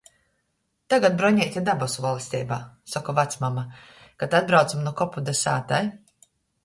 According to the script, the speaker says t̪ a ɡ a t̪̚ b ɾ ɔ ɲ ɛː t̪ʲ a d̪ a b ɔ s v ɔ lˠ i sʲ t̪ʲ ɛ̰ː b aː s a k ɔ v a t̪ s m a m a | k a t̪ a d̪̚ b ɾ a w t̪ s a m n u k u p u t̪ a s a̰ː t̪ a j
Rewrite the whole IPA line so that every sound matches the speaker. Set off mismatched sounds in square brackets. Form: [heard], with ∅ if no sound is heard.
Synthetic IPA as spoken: t̪ a ɡ a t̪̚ b ɾ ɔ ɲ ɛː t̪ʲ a d̪ a b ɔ s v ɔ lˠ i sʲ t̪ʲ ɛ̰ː b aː s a k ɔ v a t̪ s m a m a | k a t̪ a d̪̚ b ɾ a w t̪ s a m n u k [ɔ] p u [d̪] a s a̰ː t̪ a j